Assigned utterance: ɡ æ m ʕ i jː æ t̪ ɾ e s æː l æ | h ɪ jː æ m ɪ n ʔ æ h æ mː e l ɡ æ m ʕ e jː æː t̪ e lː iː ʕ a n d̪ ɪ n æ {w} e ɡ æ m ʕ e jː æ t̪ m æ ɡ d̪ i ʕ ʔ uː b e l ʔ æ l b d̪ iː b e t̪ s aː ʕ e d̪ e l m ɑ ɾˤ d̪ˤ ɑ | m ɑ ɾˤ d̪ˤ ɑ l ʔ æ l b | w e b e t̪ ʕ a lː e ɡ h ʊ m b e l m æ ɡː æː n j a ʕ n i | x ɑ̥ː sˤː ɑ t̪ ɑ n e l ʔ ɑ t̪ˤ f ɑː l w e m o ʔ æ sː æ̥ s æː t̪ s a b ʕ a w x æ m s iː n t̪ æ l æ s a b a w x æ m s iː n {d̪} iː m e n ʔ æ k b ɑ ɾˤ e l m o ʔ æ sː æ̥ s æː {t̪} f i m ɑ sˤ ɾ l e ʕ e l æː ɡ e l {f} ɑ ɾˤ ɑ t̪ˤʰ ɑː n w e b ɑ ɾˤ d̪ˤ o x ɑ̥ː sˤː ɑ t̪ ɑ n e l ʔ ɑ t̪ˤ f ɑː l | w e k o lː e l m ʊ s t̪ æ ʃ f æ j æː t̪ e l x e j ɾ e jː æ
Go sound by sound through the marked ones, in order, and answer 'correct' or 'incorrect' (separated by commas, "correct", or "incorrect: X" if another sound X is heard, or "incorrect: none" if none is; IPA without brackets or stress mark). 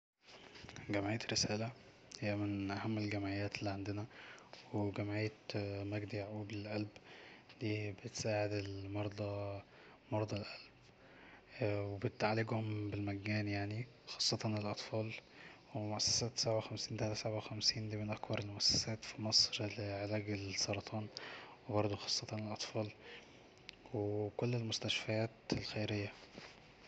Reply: correct, correct, correct, incorrect: s